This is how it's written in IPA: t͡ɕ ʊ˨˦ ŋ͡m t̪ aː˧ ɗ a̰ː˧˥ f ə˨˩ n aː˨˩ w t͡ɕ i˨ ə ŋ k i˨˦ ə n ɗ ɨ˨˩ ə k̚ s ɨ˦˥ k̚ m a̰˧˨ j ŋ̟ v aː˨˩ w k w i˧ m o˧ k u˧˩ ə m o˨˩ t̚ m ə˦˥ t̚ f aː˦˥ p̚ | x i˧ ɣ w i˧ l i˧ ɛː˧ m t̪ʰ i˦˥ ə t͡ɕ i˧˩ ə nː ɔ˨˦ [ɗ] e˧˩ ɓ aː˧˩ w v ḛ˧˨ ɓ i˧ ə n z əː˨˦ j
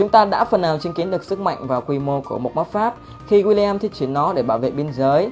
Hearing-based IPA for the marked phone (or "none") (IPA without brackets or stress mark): ɗ